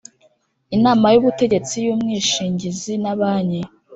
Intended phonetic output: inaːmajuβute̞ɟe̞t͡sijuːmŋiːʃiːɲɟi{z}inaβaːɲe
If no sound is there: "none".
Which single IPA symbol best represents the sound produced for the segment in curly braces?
z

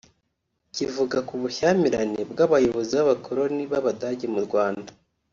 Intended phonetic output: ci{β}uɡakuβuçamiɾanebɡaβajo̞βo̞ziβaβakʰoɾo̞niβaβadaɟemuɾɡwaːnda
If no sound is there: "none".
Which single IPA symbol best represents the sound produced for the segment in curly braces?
v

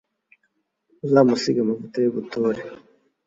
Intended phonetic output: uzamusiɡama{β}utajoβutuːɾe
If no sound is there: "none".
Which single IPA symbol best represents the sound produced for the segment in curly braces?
v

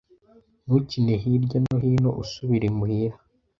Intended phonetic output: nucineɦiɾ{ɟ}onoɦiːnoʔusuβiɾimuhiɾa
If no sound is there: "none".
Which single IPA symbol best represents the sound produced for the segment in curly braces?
ɟ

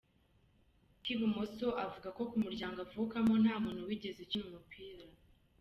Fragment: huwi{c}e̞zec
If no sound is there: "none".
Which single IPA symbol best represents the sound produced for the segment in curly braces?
ɟ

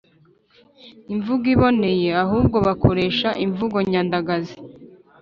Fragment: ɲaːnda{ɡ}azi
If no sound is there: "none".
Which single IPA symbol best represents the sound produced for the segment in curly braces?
ɡ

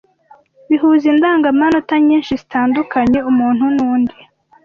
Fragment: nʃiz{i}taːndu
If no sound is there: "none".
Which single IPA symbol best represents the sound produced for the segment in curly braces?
i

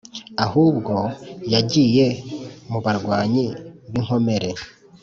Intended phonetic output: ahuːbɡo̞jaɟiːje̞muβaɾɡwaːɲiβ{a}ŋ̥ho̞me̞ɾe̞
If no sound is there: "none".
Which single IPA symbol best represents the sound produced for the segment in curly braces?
i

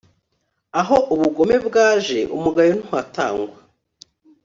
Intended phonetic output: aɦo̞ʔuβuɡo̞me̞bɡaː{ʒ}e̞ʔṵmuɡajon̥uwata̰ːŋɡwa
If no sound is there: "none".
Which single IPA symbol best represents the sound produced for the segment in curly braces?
ʒ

